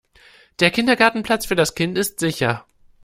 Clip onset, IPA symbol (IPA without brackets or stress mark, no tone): d̥